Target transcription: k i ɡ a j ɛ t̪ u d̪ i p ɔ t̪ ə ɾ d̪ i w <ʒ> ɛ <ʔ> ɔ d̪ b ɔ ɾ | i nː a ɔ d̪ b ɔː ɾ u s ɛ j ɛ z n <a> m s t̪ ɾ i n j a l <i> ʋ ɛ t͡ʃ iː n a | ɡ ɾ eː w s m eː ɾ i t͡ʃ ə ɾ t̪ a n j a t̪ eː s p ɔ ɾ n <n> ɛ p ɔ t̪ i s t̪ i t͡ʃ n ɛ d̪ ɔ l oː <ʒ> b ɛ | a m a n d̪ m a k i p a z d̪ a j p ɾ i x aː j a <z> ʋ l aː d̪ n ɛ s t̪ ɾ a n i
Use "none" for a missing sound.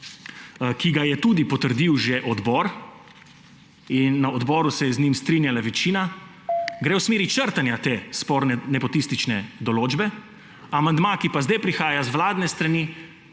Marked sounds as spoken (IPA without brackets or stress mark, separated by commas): ʒ, ʔ, i, a, n, d͡ʒ, z